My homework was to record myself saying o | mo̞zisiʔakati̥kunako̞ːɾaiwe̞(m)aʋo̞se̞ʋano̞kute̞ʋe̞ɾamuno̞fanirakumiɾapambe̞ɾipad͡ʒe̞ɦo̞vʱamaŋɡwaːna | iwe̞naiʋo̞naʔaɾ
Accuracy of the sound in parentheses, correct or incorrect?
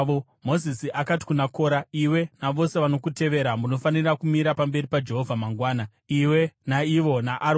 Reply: incorrect